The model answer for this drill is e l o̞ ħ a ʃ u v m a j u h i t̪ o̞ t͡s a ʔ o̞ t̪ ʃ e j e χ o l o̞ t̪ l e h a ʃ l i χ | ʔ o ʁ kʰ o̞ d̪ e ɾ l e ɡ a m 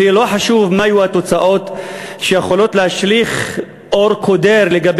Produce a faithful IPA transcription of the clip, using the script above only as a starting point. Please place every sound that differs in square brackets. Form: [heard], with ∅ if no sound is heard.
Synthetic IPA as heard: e l o̞ ħ a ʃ u v m a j u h [a] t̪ o̞ t͡s a ʔ o̞ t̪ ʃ e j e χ o l o̞ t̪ l e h a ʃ l i χ | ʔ o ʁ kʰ o̞ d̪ e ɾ l e ɡ a [b]